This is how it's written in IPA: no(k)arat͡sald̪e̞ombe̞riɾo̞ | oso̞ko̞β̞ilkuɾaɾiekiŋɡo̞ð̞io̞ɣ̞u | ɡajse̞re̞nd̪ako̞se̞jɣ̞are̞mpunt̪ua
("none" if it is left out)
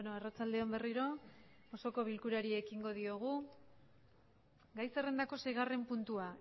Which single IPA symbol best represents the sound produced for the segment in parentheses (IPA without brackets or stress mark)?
none